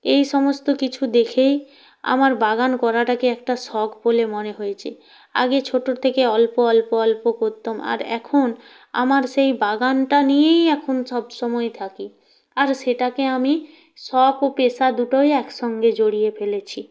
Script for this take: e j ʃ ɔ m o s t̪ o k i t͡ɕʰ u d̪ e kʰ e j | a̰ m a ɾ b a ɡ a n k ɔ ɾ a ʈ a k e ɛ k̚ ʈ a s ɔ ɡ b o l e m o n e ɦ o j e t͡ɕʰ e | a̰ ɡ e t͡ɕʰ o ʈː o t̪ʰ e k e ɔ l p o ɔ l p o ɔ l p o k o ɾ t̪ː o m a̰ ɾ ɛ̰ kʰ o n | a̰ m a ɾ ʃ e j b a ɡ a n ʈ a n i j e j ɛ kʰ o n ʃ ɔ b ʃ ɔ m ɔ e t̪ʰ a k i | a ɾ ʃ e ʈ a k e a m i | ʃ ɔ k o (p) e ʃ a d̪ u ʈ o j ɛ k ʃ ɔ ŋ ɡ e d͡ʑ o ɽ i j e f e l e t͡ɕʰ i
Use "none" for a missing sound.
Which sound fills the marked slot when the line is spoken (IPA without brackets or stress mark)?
p